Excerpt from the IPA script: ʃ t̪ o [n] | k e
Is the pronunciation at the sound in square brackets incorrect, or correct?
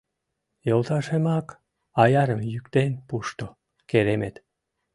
incorrect